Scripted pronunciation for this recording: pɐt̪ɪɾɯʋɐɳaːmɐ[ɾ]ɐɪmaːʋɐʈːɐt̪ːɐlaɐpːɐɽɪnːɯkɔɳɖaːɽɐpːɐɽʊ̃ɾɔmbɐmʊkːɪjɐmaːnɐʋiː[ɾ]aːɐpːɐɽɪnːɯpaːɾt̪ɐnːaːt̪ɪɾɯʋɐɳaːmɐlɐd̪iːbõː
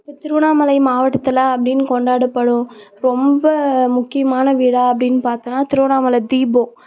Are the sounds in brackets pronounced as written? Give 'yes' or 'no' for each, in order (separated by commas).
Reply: no, no